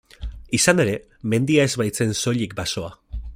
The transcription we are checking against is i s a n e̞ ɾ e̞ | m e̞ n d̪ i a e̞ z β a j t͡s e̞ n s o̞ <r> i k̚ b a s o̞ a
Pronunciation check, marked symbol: incorrect: ʎ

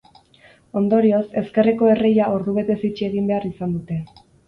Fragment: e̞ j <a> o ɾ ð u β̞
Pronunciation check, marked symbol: correct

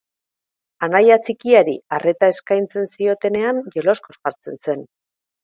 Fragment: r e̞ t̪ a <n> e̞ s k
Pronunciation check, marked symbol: incorrect: none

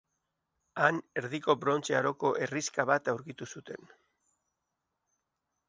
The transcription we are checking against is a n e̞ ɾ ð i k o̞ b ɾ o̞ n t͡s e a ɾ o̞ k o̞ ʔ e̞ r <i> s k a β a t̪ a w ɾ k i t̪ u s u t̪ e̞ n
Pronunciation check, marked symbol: correct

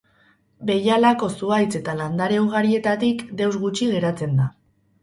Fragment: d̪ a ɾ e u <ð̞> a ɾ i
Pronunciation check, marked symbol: incorrect: ɣ̞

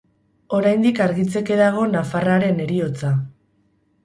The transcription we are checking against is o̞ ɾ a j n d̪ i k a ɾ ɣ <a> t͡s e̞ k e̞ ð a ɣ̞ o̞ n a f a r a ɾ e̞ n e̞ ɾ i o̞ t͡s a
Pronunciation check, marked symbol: incorrect: i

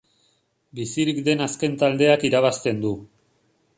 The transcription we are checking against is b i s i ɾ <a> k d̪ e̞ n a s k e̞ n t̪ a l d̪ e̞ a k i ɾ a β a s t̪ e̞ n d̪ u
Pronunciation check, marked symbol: incorrect: i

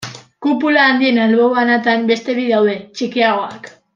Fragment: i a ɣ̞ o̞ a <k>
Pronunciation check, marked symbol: correct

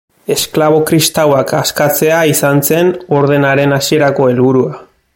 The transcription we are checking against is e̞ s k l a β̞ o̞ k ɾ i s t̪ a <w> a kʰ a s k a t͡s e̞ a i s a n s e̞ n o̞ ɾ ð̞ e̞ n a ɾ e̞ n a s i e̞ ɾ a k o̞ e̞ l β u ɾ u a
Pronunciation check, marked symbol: correct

